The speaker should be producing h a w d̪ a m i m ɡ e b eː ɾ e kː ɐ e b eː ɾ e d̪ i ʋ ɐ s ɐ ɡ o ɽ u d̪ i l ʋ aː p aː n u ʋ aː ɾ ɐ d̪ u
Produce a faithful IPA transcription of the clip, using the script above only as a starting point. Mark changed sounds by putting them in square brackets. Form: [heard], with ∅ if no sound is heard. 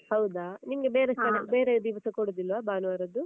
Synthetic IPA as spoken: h [ɐ] w d̪ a [n] i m ɡ e b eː ɾ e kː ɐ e b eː ɾ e d̪ i ʋ ɐ s ɐ [k] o ɽ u d̪ i l ʋ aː [b] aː n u ʋ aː ɾ ɐ d̪ u